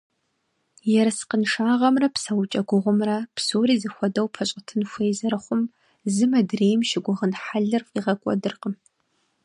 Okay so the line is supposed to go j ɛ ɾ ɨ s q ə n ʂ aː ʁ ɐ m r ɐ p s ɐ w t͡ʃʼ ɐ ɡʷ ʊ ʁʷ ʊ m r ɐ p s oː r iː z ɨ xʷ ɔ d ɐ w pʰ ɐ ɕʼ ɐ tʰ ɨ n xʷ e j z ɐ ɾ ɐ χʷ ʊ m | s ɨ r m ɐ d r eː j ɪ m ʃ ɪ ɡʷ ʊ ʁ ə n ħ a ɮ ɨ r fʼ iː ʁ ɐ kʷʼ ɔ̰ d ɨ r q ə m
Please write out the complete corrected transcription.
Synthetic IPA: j ɛ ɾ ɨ s q ə n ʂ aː ʁ ɐ m r ɐ p s ɐ w t͡ʃʼ ɐ ɡʷ ʊ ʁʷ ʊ m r ɐ p s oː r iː z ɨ xʷ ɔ d ɐ w pʰ ɐ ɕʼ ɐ tʰ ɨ n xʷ e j z ɐ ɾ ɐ χʷ ʊ m | z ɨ m ɐ d r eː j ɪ m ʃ ɪ ɡʷ ʊ ʁ ə n ħ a ɮ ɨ r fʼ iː ʁ ɐ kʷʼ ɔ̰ d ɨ r q ə m